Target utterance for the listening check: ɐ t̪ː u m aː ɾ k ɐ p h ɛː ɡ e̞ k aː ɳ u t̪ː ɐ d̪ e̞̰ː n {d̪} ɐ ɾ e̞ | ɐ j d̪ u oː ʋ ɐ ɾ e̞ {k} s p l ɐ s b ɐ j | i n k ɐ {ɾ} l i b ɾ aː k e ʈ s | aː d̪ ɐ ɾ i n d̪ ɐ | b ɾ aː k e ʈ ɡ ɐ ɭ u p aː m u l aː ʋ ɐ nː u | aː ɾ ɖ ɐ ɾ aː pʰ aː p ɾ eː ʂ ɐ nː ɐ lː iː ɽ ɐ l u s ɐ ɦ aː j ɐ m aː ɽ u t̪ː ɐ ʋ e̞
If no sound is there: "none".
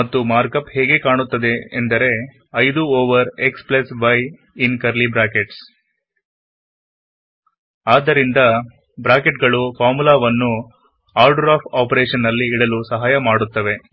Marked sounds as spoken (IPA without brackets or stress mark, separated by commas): d̪, k, ɾ